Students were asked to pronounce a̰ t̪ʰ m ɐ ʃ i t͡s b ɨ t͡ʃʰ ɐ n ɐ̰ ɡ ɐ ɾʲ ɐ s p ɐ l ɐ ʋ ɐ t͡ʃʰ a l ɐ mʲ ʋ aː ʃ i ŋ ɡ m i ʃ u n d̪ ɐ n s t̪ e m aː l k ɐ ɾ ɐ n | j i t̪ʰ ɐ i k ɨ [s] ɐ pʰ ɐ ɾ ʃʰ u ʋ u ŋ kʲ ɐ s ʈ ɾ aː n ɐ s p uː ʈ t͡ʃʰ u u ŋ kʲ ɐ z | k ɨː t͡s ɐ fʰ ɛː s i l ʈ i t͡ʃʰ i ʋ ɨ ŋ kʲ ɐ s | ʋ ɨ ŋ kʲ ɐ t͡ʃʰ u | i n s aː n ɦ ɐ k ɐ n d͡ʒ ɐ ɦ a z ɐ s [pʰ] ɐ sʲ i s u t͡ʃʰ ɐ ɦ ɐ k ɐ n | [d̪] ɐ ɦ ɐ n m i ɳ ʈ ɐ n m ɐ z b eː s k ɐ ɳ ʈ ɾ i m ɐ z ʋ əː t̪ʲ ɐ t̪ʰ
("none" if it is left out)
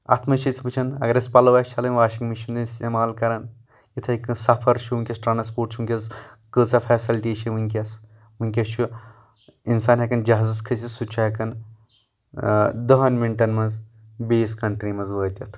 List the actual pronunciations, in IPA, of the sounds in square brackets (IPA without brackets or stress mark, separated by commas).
s, kʰ, d̪